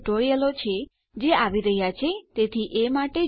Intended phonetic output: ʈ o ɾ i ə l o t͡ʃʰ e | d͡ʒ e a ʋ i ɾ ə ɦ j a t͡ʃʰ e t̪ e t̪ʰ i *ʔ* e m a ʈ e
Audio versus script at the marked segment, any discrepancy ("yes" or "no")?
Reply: no